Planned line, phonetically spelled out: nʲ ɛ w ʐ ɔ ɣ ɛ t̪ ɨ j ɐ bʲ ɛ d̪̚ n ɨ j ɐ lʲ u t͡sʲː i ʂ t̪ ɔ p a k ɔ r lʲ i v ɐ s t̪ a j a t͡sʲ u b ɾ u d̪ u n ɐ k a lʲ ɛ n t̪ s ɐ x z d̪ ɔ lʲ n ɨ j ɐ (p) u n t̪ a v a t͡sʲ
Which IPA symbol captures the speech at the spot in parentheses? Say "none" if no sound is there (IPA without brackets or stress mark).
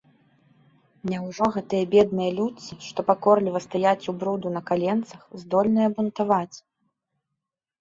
b